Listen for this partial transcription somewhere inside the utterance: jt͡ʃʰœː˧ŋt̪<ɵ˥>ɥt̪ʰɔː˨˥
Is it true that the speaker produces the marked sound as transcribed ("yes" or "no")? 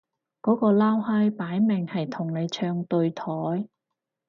no